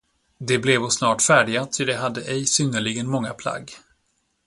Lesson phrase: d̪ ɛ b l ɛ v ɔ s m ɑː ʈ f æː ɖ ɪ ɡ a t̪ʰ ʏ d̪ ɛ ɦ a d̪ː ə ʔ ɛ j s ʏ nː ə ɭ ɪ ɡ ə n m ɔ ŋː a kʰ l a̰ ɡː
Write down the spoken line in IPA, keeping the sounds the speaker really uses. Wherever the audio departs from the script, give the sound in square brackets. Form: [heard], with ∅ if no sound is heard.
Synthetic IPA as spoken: d̪ ɛ b l ɛ v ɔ s [n] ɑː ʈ f æː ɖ ɪ ɡ a t̪ʰ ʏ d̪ ɛ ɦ a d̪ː ə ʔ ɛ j s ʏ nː ə ɭ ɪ ɡ ə n m ɔ ŋː a [pʰ] l a̰ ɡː